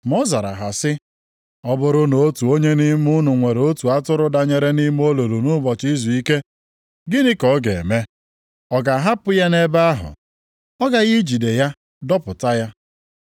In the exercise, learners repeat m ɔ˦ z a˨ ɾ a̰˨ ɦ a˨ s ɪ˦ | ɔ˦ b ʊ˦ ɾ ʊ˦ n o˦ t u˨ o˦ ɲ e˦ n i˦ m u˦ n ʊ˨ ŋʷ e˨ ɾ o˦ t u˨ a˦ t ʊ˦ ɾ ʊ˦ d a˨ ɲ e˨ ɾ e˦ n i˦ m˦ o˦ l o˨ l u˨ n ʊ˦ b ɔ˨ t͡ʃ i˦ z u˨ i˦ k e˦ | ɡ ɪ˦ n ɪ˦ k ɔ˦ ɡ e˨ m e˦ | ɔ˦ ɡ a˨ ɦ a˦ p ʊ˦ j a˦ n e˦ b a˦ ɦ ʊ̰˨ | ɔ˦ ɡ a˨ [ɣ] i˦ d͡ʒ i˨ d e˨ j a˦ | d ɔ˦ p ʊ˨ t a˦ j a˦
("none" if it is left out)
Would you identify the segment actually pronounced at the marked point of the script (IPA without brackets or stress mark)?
ɣ